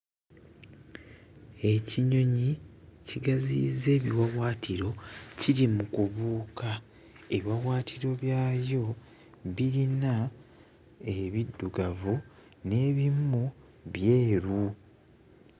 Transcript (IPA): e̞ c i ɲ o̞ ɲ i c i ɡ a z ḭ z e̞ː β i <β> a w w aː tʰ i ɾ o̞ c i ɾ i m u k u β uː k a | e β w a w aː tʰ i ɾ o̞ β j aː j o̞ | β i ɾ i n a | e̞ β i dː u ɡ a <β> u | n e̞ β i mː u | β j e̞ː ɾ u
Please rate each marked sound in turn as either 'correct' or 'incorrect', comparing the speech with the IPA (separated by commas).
incorrect, incorrect